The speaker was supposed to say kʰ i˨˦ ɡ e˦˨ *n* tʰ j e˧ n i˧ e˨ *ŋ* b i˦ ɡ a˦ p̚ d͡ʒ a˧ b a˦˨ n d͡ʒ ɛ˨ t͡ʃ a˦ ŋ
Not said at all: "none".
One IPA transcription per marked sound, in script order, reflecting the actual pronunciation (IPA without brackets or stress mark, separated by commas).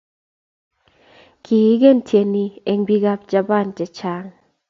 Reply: n, ŋ